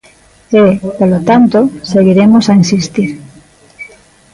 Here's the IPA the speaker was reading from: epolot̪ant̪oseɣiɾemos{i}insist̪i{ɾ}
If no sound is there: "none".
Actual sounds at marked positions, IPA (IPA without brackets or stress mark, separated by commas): a, ɾ